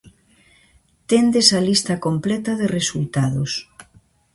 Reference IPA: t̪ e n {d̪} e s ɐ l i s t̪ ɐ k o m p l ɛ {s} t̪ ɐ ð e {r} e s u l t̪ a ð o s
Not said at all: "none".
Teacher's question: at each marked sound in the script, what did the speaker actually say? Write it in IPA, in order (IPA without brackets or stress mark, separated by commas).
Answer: d̪, none, r